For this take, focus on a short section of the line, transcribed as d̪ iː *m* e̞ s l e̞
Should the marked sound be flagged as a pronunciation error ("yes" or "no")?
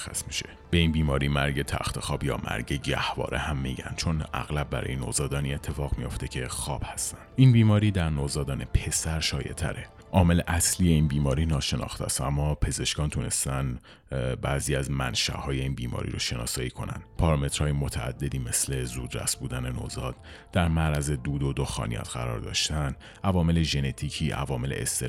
no